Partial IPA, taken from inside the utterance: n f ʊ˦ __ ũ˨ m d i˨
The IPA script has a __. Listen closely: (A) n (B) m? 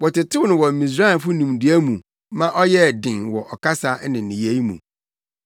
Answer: A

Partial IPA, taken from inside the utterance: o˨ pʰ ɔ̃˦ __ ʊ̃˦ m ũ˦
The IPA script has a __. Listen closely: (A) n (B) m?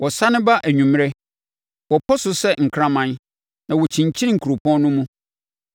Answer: A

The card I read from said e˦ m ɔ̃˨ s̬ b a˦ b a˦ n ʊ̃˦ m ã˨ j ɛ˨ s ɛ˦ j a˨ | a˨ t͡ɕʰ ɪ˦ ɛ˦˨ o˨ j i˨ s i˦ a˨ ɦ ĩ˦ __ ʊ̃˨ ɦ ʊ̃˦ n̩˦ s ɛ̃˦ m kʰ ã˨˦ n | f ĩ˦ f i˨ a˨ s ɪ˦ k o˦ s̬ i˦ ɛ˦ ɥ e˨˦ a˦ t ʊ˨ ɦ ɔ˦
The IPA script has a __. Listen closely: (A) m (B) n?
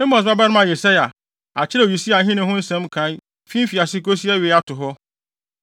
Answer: B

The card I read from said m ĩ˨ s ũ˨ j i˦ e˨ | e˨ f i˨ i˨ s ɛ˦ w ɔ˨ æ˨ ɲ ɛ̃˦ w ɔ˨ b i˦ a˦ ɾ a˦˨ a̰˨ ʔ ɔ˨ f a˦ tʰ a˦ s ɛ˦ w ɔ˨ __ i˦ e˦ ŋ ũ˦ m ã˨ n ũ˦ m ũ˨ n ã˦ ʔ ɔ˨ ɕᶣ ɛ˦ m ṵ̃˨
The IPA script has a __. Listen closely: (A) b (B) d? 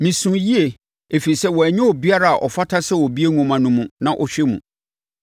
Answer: A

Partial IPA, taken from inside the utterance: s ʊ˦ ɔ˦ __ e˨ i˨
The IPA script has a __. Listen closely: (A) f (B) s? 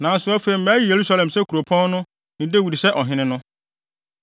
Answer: A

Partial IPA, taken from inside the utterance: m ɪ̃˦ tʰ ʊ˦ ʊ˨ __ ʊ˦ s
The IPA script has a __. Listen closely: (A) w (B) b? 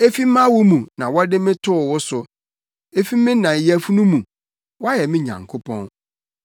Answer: A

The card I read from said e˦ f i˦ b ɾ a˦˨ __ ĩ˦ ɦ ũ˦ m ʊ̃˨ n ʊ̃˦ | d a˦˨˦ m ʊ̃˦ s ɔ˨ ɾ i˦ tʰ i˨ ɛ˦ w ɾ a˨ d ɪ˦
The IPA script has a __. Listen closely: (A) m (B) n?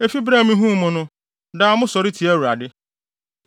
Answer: A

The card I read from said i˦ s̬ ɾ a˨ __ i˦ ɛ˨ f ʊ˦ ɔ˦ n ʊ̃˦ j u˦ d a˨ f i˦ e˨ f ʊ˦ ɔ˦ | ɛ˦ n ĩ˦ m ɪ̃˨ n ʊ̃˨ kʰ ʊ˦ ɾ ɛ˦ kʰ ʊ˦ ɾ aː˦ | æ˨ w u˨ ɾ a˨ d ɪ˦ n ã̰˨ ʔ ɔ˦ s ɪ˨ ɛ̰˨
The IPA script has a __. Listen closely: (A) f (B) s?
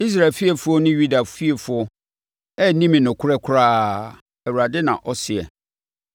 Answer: A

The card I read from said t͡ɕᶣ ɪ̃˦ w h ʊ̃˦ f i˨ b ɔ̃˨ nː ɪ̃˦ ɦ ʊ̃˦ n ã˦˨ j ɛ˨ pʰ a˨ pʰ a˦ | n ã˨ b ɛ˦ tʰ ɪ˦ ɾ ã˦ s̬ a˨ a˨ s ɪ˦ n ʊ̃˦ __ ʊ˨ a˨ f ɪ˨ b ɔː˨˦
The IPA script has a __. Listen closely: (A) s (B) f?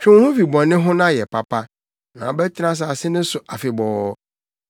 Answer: A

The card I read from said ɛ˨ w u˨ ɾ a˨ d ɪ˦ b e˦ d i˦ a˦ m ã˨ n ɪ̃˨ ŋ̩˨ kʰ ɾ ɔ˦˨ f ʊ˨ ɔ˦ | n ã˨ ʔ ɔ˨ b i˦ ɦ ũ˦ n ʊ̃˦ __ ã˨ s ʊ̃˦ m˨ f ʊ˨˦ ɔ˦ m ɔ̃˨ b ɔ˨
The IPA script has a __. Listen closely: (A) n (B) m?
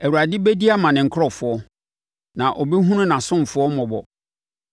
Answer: A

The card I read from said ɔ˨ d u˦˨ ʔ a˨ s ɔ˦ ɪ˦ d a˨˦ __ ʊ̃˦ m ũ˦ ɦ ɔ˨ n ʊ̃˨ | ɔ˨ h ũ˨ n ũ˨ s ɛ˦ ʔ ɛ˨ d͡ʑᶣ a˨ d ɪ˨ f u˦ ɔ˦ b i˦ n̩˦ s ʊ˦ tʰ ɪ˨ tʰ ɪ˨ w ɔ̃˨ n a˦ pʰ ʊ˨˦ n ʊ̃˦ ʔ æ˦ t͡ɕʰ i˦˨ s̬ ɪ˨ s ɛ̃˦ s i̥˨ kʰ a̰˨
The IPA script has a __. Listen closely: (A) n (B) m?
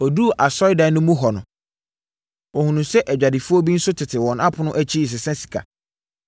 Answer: A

